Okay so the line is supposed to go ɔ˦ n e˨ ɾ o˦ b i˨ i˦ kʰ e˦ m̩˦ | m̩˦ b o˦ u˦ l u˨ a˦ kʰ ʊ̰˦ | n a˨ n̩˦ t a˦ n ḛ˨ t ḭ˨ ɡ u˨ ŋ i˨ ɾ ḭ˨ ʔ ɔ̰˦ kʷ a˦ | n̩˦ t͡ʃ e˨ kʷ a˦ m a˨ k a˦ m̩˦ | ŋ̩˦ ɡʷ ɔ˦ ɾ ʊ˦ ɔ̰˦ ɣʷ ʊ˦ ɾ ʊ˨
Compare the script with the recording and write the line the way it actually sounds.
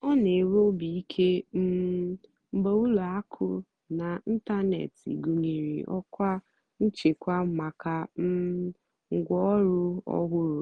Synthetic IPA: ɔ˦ n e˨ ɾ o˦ b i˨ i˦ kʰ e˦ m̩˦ | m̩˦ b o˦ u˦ l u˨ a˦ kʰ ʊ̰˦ | n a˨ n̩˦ t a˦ n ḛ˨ t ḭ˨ ɡ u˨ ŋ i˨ ɾ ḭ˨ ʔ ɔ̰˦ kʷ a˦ | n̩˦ t͡ʃ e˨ kʷ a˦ m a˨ k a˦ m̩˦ | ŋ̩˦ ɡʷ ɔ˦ ɾ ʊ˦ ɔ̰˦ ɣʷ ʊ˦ ɾ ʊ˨